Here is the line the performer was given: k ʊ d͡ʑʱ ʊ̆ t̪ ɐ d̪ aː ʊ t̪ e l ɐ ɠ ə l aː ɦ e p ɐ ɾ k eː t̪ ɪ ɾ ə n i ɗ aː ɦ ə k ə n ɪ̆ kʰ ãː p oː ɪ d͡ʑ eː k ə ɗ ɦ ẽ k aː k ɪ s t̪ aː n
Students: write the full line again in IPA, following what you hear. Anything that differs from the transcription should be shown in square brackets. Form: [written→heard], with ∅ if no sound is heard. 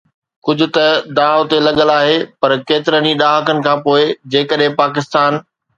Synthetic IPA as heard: k ʊ d͡ʑʱ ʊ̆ t̪ ɐ d̪ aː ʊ t̪ e l ɐ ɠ ə l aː ɦ e p ɐ ɾ k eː t̪ ɪ ɾ ə n i ɗ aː ɦ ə k ə n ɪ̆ kʰ ãː p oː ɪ d͡ʑ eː k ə ɗ ɦ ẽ [k→p] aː k ɪ s t̪ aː n